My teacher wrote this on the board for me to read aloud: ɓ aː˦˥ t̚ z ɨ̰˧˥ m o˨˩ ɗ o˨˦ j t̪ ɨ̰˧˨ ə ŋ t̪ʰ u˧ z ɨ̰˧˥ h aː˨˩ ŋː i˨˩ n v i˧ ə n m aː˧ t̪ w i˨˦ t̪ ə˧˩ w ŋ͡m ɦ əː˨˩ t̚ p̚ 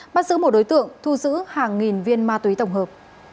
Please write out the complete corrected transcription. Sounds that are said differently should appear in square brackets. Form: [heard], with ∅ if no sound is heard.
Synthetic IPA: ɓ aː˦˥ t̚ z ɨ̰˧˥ m o˨˩ ɗ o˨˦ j t̪ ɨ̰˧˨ ə ŋ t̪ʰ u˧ z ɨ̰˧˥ h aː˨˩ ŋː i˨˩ n v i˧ ə n m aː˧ t̪ w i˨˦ t̪ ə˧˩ w ŋ͡m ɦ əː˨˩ [∅] p̚